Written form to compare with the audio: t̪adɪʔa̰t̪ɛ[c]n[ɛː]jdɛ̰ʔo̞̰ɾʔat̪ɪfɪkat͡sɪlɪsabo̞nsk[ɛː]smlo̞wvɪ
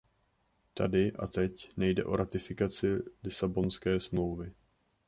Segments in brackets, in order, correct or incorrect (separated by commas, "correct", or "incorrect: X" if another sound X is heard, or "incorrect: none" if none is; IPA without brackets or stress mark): correct, incorrect: ɛ, correct